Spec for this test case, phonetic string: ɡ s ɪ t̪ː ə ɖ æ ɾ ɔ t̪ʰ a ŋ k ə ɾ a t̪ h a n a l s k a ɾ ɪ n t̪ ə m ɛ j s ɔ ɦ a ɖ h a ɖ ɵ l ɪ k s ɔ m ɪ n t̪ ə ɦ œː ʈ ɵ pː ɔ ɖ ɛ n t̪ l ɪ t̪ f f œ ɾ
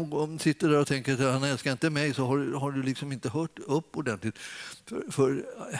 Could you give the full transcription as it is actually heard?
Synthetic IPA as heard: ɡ s ɪ t̪ː ə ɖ æ ɾ ɔ t̪ʰ ɛ ŋ k ə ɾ a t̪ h a n ɛ l s k a ɾ ɪ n t̪ ə m ɛ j s ɔ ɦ a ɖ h a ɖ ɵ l ɪ k s ɔ m ɪ n t̪ ə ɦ œː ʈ ɵ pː ɔ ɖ ɛ n t̪ l ɪ t̪ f f œ ɾ